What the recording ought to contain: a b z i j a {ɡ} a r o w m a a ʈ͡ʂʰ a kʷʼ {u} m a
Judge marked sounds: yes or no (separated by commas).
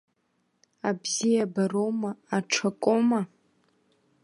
no, no